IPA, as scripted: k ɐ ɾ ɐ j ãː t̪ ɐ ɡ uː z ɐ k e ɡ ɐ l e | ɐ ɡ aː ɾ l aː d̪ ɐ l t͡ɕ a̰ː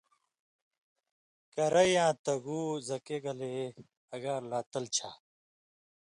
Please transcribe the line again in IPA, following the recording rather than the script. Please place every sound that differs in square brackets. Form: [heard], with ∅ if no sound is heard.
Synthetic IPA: k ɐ ɾ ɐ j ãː t̪ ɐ ɡ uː z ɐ k e ɡ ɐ l e | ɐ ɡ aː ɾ l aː [t̪] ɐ l [t͡ɕʰ] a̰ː

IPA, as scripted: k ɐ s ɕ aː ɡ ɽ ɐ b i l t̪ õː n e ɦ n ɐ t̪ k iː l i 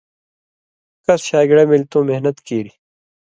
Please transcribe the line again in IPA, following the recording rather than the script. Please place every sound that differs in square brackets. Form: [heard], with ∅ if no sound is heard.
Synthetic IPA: k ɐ s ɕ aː ɡ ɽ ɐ [m] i l t̪ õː [m] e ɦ n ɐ t̪ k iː [ɾ] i

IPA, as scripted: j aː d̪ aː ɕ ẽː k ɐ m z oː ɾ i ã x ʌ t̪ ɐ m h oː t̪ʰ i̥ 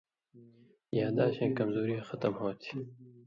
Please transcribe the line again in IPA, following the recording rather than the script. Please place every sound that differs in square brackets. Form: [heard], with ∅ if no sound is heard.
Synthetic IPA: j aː d̪ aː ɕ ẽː k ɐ m z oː ɾ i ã x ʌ t̪ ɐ m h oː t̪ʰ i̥

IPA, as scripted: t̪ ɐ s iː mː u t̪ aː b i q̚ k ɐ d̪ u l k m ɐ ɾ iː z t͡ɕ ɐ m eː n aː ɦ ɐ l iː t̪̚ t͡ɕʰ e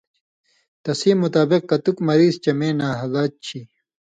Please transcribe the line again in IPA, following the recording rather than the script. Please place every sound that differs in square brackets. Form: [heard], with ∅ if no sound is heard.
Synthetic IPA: t̪ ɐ s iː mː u t̪ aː b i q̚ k ɐ [t̪] u [∅] k m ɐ ɾ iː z t͡ɕ ɐ m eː n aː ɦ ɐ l [aː] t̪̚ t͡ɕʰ [i]

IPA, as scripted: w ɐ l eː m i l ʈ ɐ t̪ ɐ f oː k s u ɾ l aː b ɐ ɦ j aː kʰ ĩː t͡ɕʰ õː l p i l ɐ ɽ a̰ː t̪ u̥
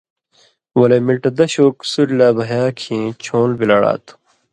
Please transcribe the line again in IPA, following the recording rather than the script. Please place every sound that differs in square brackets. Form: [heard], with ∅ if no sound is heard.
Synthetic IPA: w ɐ l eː m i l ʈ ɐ [d̪] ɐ [ɕ] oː k s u ɾ l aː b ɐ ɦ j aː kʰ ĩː t͡ɕʰ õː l [b] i l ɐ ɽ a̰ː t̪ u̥

